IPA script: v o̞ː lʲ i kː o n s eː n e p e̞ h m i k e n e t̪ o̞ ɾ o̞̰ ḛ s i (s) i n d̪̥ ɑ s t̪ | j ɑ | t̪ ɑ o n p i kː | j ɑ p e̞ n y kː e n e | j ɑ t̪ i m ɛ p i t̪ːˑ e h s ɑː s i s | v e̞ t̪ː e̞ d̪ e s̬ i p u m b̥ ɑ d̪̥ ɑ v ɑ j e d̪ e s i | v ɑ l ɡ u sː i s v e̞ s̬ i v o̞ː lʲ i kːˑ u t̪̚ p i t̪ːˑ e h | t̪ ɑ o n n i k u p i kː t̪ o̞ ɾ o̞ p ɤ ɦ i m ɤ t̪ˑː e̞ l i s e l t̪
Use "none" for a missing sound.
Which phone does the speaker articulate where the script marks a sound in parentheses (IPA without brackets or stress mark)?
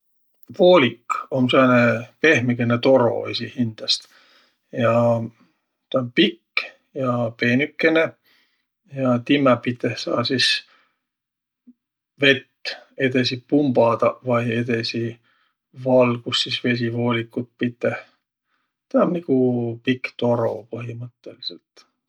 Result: h